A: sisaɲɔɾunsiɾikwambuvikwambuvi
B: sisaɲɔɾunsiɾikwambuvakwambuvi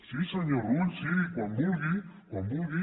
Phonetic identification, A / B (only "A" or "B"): A